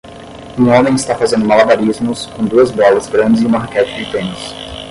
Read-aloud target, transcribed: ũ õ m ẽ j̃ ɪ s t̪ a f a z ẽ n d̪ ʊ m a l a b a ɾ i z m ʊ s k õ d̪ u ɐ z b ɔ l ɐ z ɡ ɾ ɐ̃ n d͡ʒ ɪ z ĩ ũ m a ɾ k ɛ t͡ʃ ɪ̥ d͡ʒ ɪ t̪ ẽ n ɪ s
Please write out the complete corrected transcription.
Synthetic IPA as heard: ũ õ m ẽ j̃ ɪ s t̪ a f a z ẽ n d̪ ʊ m a l a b a ɾ i z m ʊ s k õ d̪ u ɐ z b ɔ l ɐ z ɡ ɾ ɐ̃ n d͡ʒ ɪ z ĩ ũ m a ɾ k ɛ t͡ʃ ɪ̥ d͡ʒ ɪ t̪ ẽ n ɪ s